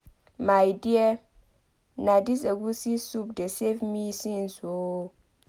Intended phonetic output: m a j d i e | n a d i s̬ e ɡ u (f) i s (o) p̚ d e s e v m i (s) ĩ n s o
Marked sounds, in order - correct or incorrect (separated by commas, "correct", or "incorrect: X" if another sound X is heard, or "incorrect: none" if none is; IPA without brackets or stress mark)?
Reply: incorrect: s, incorrect: u, correct